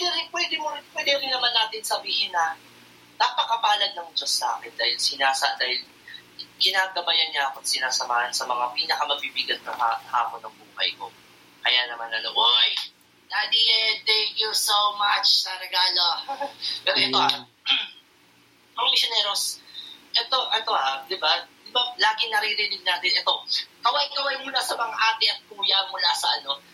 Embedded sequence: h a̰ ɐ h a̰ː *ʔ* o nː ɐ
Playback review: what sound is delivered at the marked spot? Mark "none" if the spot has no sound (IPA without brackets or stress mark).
p